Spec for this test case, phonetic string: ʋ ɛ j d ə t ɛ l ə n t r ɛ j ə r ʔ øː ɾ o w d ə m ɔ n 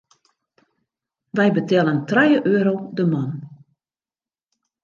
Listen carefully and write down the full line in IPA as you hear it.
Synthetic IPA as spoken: ʋ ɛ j b ə t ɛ l ə n t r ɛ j ə ʔ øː ɾ o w d ə m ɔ n